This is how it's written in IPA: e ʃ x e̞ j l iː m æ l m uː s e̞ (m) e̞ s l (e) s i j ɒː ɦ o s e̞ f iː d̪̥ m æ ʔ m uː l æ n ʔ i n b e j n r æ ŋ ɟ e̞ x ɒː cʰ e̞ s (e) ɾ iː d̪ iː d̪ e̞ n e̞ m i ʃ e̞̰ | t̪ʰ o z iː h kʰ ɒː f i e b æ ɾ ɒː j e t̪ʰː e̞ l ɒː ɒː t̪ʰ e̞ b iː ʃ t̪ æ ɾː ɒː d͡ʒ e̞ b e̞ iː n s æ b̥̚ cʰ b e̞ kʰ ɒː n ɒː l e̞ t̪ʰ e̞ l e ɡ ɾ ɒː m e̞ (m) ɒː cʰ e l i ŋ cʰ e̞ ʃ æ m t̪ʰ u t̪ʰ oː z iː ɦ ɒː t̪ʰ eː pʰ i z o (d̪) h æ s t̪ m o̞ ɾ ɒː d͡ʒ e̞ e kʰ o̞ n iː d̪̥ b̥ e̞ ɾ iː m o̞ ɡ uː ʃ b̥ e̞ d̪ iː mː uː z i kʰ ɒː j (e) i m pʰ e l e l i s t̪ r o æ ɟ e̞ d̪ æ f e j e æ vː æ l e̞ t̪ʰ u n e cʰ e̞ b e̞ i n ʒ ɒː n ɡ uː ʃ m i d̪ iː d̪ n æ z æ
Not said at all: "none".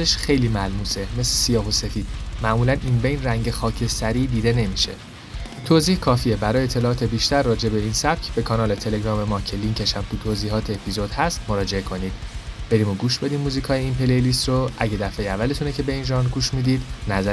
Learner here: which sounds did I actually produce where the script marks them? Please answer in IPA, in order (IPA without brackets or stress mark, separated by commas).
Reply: m, e, æ, m, d̪, e